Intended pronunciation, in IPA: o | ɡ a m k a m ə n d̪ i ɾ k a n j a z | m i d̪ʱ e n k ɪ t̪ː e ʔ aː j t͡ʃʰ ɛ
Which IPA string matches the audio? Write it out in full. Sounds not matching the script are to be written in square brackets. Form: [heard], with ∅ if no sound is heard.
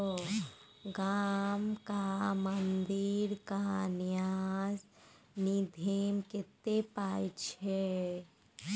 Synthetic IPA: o | ɡ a m k a m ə n d̪ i ɾ k a n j a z | [n] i d̪ʱ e [m] k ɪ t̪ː e [p] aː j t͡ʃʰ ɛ